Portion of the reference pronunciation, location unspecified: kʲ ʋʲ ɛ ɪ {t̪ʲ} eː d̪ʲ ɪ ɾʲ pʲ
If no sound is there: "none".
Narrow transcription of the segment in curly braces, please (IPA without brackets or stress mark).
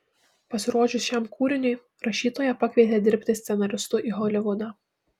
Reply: t̪ʲ